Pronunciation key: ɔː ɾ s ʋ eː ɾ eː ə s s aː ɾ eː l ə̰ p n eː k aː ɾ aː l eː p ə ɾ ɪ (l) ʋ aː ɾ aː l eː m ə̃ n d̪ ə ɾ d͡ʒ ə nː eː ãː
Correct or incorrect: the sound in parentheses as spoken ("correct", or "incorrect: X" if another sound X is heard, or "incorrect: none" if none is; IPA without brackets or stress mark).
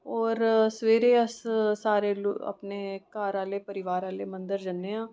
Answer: incorrect: none